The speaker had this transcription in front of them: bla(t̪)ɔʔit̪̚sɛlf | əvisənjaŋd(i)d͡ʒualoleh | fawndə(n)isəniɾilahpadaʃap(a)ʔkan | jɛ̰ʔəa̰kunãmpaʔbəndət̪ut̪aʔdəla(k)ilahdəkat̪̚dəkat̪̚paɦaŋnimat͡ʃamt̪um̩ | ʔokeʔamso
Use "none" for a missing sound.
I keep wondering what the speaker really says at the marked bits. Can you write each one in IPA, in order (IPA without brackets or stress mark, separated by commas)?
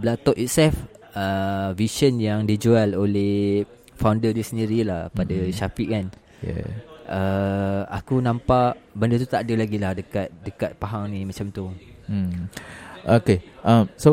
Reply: t̪, i, d, i, ɡ